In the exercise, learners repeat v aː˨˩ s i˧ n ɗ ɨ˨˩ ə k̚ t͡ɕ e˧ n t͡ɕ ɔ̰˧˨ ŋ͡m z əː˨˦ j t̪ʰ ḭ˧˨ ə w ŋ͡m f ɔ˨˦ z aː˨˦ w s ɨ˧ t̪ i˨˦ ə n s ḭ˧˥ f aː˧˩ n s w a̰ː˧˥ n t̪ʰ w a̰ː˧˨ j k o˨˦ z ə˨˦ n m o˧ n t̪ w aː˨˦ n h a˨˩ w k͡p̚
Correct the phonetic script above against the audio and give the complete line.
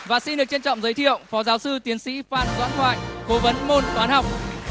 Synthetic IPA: v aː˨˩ s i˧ n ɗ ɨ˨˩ ə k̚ t͡ɕ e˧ n t͡ɕ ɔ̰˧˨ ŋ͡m z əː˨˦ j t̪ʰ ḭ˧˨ ə w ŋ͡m f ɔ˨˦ z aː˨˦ w s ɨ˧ t̪ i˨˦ ə n s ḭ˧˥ f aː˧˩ n z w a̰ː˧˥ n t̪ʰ w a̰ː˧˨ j k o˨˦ v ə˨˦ n m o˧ n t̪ w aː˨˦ n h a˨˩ w k͡p̚